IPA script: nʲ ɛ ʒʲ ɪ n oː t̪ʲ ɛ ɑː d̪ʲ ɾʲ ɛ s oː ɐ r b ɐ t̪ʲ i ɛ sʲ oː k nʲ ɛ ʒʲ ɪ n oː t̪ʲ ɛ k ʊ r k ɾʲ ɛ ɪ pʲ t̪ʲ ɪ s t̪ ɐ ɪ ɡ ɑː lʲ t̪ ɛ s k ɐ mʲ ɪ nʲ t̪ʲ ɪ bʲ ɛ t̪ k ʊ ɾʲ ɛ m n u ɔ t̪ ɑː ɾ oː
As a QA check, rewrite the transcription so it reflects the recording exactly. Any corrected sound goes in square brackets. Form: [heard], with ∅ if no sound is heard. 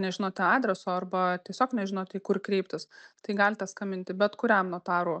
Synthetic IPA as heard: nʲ ɛ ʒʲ ɪ n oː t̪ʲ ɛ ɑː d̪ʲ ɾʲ ɛ s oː ɐ r b ɐ t̪ʲ i ɛ sʲ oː k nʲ ɛ ʒʲ ɪ n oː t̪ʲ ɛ k ʊ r k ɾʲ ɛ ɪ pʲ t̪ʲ ɪ s t̪ ɐ ɪ ɡ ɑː lʲ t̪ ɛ s k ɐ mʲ ɪ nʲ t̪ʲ ɪ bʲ ɛ t̪ k ʊ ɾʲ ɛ m n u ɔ t̪ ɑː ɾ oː